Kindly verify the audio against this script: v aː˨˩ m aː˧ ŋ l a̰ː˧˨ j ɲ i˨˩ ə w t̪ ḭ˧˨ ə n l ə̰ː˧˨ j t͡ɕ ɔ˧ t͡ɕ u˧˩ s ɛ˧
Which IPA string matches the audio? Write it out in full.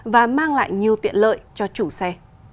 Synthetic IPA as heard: v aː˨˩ m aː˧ ŋ l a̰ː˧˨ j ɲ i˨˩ ə w t̪ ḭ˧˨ ə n l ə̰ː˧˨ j t͡ɕ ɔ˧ t͡ɕ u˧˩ s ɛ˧